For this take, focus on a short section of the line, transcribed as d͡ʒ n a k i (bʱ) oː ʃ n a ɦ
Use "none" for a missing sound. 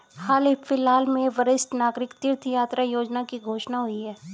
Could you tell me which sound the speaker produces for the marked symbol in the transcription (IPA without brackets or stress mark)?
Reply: ɡʱ